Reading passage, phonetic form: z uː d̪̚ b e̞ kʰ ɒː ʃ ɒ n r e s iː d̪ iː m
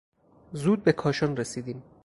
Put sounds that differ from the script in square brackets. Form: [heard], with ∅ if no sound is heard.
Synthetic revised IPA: z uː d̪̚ b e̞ kʰ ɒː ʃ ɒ n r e s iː d̪ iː m